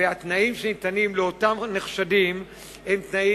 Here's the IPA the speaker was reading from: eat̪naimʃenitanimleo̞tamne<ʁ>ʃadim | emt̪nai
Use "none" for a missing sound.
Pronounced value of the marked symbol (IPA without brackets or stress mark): χ